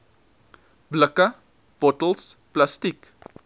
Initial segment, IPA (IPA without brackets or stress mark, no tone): b